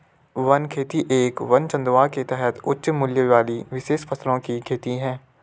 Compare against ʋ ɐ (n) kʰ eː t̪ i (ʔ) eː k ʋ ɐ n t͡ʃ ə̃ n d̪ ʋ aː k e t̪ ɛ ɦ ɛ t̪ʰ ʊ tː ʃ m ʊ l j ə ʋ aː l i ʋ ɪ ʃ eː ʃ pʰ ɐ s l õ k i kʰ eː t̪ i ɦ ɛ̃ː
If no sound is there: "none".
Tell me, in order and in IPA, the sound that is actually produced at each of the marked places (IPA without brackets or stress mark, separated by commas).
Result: n, ʔ